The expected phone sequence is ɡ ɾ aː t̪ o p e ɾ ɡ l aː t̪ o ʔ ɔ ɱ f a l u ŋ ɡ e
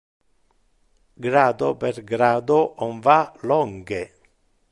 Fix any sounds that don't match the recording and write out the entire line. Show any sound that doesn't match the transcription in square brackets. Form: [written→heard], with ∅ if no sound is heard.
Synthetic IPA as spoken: ɡ ɾ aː [t̪→d̪] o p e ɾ ɡ [l→ɾ] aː [t̪→d̪] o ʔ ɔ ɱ [f→v] a l [u→ɔ] ŋ ɡ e